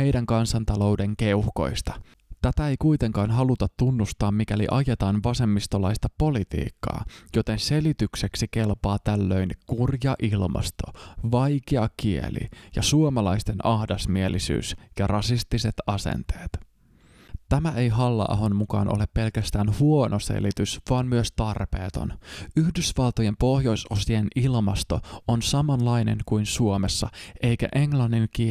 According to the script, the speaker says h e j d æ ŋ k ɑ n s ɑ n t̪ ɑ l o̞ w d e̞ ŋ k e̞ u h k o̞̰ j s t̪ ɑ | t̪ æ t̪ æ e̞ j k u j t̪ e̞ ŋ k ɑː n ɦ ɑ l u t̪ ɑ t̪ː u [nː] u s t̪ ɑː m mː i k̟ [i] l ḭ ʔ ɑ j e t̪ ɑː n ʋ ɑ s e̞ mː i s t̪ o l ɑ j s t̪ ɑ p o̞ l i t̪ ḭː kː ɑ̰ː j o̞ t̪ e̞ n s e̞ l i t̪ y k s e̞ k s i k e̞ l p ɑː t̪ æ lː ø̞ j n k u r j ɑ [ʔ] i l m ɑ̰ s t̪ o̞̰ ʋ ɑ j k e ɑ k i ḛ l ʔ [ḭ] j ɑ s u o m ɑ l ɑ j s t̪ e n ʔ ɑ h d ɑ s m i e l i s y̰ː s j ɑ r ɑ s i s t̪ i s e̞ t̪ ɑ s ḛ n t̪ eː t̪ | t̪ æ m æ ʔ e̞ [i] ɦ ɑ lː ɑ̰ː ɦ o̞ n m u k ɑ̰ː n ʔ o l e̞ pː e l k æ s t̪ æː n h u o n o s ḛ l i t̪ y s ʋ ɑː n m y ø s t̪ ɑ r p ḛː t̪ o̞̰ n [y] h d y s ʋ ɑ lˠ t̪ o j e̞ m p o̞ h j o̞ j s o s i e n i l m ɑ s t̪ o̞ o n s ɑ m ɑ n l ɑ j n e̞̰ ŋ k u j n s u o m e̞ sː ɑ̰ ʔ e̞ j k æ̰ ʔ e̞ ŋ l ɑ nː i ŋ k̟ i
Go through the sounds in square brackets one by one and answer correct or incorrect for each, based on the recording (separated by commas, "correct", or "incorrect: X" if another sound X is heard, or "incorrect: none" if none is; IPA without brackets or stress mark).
correct, incorrect: æ, correct, correct, incorrect: j, correct